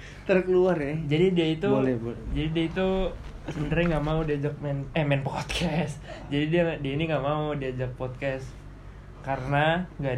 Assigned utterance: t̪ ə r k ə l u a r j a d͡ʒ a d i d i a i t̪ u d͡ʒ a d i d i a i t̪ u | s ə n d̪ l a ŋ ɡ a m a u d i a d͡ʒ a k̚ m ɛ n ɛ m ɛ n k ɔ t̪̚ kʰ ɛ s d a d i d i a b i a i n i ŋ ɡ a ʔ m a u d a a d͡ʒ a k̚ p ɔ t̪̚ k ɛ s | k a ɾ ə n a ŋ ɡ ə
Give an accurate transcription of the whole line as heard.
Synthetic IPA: t̪ ə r k ə l u a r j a d͡ʒ a d i d i a i t̪ u d͡ʒ a d i d i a i t̪ u | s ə n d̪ ɾ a ŋ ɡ a m a u d i a d͡ʒ a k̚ m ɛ n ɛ m ɛ n p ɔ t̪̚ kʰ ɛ s d͡ʒ a d i d i a d i a i n i ŋ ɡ a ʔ m a u d i a d͡ʒ a k̚ p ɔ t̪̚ k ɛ s | k a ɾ ə n a ŋ ɡ a